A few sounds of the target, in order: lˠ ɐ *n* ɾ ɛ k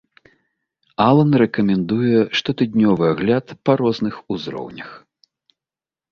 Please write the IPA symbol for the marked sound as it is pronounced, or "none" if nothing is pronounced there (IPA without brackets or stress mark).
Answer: n